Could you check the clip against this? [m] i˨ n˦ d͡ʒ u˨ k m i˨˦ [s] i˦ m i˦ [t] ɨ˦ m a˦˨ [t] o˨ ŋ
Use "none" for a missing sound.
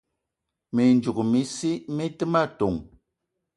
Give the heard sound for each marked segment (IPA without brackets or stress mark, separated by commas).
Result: m, s, t, t